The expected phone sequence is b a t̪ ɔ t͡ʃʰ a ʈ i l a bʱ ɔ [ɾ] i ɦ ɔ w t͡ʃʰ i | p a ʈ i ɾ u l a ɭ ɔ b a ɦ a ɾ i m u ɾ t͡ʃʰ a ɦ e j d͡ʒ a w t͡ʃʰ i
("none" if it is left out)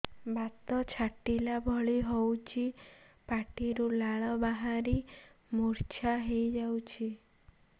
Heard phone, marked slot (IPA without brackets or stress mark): ɭ